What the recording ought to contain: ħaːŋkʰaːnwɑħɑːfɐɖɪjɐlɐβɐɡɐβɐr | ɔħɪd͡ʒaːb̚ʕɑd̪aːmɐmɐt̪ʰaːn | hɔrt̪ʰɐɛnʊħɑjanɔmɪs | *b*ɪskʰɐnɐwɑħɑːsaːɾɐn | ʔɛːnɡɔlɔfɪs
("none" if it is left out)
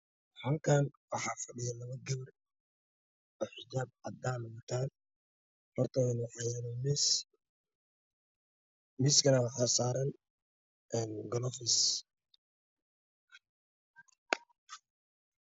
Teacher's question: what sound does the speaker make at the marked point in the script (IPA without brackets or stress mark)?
m